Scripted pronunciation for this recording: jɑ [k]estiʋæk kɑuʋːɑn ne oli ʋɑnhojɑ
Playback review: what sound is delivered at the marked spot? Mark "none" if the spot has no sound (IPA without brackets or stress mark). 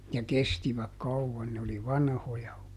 k